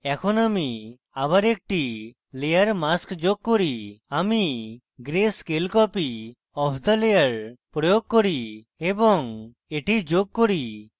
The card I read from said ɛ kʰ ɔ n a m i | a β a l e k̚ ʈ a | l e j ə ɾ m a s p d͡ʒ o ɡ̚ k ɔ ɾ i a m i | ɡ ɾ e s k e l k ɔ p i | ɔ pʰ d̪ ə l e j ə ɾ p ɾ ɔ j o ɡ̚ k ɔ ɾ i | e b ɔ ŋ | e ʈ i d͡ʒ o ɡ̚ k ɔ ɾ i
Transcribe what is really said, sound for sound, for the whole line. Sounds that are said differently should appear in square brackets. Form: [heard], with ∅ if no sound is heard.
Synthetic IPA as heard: ɛ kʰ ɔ n a m i | a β a [ɾ] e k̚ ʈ [i] | l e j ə ɾ m a s [k] d͡ʒ o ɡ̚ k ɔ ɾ i a m i | ɡ ɾ e s k e l k ɔ p i | ɔ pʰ d̪ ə l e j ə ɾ p ɾ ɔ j o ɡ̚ k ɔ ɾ i | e b ɔ ŋ | e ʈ i d͡ʒ o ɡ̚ k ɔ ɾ i

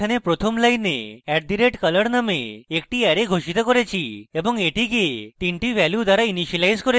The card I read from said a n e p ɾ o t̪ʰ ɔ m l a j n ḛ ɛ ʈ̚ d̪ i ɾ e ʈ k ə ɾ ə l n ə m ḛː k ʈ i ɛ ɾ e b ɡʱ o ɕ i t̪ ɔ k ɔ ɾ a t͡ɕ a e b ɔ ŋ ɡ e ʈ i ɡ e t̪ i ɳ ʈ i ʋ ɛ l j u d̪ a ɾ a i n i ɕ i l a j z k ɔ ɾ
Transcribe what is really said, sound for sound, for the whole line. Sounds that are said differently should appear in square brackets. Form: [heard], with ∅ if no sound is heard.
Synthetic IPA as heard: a n e p ɾ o t̪ʰ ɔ m l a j n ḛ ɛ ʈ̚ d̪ i ɾ e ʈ k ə [l] ə [ɽ] n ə m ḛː k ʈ i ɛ ɾ e [∅] ɡʱ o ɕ i t̪ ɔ k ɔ ɾ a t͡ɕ [i] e b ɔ ŋ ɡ e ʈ i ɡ e t̪ i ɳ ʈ i ʋ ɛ l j u d̪ a ɾ a i n i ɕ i l a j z k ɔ ɾ

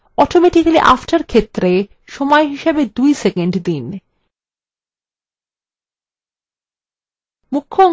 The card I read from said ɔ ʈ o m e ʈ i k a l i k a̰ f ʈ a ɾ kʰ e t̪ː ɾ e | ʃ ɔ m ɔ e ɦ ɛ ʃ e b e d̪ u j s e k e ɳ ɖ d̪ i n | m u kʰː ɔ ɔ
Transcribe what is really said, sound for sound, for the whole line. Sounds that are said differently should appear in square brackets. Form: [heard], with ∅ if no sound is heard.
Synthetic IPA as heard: ɔ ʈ o m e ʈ i k a l i [ʔ] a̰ f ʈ a ɾ kʰ e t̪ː ɾ e | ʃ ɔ m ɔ e ɦ [i] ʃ e b e d̪ u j s e k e ɳ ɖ d̪ i n | m u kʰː [o] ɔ

